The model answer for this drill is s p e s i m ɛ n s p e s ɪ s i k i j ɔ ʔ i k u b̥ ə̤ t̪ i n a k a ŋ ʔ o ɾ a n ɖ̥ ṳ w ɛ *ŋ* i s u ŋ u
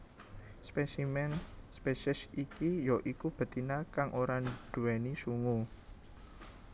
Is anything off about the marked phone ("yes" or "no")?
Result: yes